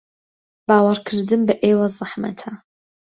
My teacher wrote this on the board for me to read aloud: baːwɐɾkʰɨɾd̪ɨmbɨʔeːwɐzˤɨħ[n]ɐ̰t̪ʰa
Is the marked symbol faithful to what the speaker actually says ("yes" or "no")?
no